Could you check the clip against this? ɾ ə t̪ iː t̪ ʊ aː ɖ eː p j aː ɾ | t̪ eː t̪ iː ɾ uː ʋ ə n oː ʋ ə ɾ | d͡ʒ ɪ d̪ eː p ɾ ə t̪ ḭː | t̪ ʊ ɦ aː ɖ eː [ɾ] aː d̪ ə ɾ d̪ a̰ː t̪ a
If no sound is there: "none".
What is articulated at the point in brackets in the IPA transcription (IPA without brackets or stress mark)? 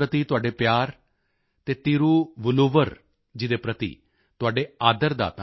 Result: none